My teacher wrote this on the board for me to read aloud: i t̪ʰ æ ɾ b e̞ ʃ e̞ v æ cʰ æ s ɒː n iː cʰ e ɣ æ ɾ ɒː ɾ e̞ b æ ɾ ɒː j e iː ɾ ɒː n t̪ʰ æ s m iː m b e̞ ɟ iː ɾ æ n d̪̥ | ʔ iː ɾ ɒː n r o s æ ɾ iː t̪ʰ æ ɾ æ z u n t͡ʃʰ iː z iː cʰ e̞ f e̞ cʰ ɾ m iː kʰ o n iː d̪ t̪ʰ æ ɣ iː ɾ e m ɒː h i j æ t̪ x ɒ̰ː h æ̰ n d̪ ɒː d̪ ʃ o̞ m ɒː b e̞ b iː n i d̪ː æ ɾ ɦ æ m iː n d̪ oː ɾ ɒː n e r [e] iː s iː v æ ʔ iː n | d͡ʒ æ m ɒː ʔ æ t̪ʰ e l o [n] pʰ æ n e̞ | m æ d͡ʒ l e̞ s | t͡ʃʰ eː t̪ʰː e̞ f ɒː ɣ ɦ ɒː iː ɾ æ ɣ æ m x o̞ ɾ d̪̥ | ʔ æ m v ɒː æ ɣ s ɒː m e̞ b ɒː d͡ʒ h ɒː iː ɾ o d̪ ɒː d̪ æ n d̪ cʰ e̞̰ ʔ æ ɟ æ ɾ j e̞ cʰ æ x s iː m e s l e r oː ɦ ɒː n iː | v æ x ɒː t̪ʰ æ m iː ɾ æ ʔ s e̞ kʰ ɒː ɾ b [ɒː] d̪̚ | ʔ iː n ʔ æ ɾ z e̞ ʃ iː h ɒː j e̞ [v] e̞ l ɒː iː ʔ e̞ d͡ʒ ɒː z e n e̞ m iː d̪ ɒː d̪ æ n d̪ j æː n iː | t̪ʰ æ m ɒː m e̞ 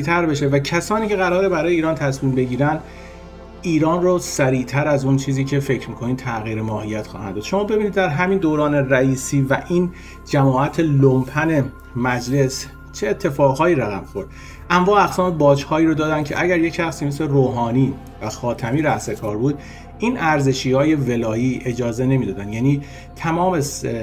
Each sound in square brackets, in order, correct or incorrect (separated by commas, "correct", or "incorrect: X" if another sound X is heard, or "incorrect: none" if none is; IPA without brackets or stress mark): incorrect: æ, incorrect: m, incorrect: uː, correct